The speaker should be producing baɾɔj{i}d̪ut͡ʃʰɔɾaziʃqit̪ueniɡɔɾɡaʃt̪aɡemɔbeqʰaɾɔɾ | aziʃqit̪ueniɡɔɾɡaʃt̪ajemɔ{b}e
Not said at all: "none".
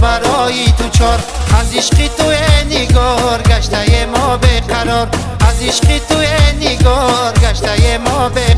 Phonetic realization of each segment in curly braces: i, b

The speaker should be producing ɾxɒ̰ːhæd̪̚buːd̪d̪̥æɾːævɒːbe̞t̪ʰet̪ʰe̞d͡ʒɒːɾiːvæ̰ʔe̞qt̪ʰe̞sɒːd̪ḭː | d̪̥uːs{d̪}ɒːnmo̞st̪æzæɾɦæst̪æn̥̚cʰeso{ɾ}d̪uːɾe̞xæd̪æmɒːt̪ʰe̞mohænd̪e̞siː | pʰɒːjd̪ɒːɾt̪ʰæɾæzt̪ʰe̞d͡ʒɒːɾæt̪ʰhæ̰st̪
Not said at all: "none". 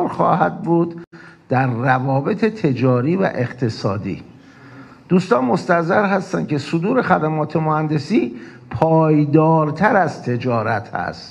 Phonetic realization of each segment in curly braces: t̪, none

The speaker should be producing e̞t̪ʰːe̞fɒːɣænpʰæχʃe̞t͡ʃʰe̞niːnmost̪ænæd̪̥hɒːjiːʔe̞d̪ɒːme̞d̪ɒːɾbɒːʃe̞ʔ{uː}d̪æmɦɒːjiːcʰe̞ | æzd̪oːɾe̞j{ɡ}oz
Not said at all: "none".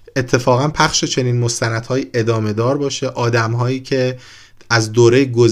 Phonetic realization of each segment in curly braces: ɒː, ɡ

